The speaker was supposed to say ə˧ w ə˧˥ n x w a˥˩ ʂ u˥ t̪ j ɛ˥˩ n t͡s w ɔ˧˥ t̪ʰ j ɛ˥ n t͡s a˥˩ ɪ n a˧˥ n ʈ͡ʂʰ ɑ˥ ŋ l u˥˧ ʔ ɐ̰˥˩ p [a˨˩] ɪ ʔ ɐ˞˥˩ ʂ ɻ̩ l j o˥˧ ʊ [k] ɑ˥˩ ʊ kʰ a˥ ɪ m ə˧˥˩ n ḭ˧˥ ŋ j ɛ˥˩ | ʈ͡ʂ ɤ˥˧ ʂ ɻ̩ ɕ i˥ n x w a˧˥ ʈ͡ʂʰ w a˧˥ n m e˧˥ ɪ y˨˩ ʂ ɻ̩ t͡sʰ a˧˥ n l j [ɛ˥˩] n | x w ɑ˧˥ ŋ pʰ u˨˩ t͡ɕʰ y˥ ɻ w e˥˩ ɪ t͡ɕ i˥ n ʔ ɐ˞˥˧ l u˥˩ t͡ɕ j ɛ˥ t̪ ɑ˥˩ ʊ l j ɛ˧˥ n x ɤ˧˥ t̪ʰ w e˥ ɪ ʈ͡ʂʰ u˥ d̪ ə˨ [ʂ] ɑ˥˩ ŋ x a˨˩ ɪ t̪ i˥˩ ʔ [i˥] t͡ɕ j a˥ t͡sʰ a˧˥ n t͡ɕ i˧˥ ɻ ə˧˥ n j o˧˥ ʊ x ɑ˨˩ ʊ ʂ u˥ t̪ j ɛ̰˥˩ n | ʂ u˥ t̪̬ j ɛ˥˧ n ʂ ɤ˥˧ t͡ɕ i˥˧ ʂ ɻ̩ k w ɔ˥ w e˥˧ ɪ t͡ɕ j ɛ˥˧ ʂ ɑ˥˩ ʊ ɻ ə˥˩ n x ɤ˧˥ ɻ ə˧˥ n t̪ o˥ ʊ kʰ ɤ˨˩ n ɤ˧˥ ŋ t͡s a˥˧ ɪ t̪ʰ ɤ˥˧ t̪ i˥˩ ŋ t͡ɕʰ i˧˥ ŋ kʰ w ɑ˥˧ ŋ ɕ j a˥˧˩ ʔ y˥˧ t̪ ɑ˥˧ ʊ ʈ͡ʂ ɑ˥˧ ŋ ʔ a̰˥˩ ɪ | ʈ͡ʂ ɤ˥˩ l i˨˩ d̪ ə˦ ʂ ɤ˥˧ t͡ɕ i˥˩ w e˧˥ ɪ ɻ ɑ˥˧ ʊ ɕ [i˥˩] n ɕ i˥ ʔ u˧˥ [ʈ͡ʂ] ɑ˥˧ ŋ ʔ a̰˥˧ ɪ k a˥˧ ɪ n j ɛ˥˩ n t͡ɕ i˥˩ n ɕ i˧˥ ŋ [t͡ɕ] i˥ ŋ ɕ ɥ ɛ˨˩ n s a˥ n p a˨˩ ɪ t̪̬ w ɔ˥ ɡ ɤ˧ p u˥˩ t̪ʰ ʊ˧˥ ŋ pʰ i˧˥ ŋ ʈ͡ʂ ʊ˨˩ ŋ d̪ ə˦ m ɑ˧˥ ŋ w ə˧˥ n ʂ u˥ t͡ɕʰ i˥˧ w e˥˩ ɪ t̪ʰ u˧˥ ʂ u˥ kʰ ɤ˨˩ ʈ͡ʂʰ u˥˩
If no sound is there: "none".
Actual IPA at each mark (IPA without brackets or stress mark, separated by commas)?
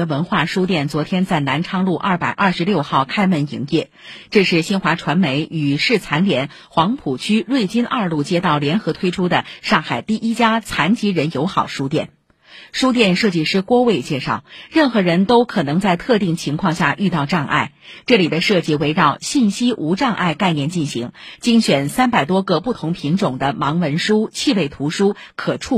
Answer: a˨˩, x, ɛ˧˥, ʂ, i˥, i˥˩, ʈ͡ʂ, t͡ɕ